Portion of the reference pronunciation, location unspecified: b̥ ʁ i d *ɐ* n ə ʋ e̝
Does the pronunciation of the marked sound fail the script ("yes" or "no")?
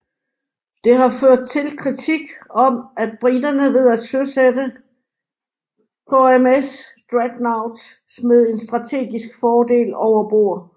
no